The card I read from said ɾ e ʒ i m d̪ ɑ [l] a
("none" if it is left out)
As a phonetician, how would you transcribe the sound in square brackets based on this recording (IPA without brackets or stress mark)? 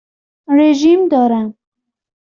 ɾ